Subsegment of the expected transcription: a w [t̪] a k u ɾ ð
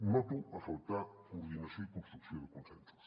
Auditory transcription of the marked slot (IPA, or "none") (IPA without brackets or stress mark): t̪